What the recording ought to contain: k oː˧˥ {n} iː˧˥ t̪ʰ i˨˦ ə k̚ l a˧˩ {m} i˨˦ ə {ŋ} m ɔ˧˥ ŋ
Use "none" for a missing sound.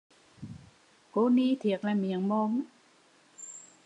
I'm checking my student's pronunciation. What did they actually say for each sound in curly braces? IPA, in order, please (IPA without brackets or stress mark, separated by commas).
n, m, ŋ